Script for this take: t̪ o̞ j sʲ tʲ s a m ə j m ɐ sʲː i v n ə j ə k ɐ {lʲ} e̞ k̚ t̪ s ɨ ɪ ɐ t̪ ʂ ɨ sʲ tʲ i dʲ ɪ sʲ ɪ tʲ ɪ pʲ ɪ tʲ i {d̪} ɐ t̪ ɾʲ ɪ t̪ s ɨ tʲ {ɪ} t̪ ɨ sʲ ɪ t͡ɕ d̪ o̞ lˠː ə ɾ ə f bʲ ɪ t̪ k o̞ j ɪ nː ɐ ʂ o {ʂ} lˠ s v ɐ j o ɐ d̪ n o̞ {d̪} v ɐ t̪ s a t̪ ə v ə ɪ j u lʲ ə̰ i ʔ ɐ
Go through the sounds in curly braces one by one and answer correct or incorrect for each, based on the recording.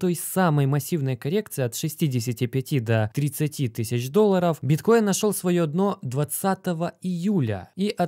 incorrect: ɾʲ, correct, incorrect: i, incorrect: none, correct

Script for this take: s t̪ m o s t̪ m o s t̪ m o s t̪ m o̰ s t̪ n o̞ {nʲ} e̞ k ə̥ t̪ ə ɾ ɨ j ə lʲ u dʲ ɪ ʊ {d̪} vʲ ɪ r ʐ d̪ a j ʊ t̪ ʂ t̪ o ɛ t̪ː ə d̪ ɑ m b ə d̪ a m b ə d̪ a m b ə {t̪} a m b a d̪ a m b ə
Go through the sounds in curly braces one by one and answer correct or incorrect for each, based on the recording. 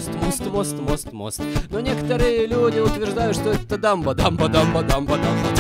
correct, incorrect: t̪, incorrect: d̪

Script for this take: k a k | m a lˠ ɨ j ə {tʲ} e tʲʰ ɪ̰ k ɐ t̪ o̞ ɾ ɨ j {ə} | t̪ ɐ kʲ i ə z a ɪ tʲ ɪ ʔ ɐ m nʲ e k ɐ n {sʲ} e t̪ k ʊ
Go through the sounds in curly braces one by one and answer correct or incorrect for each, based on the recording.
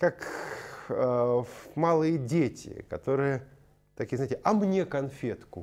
incorrect: dʲ, correct, incorrect: fʲ

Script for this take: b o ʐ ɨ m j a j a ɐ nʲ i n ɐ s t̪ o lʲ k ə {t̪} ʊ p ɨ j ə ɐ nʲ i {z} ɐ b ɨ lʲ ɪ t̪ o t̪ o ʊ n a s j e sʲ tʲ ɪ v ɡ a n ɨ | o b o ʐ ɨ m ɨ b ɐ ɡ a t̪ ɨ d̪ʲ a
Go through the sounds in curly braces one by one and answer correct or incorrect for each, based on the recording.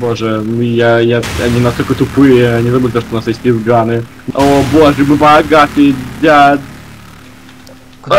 correct, correct

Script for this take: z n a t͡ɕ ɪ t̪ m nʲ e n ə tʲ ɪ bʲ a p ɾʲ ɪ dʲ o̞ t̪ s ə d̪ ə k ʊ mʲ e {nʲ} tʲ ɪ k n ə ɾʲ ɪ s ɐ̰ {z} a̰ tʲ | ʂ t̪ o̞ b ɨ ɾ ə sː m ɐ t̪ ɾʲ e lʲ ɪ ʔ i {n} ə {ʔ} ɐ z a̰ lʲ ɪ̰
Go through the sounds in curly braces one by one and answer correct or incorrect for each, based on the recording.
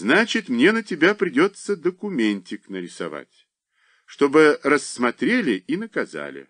correct, incorrect: v, correct, incorrect: k

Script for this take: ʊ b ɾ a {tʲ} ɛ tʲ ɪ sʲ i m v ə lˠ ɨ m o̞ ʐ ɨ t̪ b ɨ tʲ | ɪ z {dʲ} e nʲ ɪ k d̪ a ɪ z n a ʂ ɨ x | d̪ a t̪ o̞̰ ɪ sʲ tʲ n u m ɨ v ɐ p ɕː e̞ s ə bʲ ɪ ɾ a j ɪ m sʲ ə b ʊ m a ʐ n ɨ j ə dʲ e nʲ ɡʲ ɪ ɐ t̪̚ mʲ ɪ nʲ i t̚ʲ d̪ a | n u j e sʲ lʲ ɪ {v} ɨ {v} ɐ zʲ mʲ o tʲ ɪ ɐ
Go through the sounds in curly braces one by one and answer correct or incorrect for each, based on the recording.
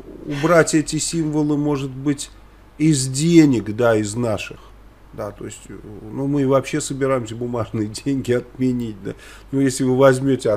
correct, correct, correct, correct

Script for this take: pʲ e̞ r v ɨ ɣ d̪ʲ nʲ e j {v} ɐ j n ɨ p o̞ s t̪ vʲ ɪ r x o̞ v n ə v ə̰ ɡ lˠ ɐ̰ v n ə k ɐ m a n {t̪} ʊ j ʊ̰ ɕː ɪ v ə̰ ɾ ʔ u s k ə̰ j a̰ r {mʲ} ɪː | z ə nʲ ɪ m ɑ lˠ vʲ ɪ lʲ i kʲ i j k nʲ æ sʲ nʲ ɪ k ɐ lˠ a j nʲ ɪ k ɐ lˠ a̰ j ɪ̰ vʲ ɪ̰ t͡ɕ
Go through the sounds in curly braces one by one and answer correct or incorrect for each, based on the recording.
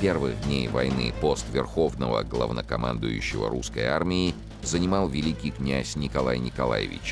correct, incorrect: d̪, correct

